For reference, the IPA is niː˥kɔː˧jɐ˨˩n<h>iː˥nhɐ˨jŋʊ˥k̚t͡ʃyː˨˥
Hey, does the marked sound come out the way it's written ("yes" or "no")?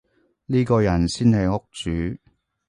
no